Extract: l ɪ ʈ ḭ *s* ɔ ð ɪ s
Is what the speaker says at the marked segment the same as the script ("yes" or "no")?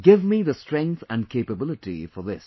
no